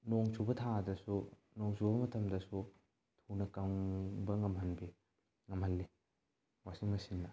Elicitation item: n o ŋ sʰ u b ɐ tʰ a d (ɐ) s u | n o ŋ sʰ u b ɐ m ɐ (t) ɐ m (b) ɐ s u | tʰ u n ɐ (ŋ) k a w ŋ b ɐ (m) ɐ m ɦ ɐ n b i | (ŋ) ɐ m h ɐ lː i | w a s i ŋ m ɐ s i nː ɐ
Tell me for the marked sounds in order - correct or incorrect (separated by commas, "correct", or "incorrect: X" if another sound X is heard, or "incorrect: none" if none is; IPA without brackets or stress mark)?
correct, incorrect: tʰ, incorrect: d, incorrect: none, incorrect: ŋ, correct